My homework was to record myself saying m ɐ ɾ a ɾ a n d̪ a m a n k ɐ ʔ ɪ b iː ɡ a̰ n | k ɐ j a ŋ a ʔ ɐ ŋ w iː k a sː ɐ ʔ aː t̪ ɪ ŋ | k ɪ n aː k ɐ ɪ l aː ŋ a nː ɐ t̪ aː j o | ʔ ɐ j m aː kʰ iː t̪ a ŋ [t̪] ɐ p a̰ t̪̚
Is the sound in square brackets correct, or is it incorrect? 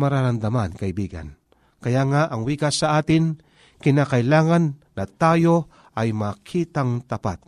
correct